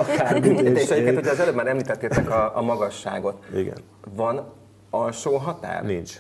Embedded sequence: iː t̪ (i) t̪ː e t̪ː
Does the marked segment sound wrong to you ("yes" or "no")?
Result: yes